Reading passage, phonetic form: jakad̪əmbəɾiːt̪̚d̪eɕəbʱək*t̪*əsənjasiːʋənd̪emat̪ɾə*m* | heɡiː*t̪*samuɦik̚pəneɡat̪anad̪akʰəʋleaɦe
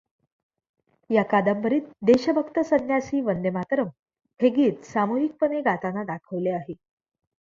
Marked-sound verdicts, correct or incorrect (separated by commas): correct, correct, correct